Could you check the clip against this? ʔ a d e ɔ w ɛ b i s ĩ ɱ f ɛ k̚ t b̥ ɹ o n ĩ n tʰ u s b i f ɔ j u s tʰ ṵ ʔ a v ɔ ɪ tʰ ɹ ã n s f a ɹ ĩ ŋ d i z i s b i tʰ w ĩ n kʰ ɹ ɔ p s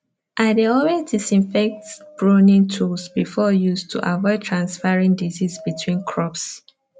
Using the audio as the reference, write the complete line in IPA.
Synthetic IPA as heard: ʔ a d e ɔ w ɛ d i s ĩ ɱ f ɛ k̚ t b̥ ɹ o n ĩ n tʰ u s b i f ɔ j u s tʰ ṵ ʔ a v ɔ ɪ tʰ ɹ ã n s f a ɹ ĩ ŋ d i z i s b i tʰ w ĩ n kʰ ɹ ɔ p s